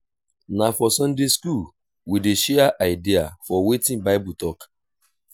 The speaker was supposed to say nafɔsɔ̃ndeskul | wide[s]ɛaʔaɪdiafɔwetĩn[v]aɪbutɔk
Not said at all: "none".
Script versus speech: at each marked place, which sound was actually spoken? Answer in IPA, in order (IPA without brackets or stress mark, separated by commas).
ʃ, b